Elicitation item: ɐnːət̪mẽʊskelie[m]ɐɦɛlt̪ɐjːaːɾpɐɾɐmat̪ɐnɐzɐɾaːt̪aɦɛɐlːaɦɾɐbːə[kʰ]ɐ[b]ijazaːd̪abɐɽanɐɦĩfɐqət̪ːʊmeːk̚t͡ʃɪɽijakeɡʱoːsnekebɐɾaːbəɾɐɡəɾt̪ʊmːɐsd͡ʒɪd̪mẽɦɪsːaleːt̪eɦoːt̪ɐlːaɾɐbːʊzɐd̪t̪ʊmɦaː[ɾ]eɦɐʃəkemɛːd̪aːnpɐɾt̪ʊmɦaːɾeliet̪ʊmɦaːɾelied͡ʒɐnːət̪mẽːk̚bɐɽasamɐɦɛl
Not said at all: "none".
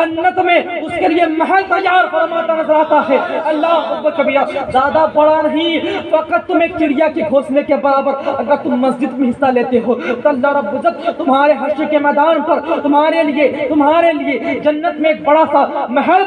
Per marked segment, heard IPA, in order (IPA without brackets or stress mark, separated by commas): m, k, b, ɾ